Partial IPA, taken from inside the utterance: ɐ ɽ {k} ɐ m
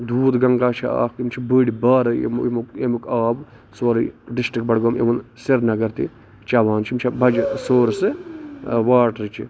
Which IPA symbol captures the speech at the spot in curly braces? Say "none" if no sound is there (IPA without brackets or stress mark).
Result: ɡ